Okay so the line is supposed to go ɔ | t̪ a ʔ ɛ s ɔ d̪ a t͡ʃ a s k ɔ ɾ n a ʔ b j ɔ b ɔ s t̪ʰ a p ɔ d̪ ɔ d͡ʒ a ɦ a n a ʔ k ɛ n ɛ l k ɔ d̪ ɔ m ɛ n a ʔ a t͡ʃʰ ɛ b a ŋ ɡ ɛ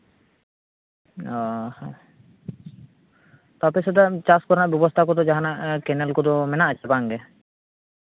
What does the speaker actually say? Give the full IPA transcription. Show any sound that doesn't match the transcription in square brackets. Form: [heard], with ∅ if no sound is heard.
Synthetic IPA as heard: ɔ | t̪ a [p] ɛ s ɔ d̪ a t͡ʃ a s k ɔ ɾ n a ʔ b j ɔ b ɔ s t̪ʰ a [k] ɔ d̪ ɔ d͡ʒ a ɦ a n a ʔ k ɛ n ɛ l k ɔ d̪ ɔ m ɛ n a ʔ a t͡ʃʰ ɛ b a ŋ ɡ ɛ